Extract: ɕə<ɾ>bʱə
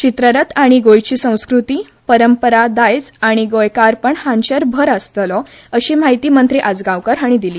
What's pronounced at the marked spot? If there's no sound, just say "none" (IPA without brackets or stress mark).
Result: ɾ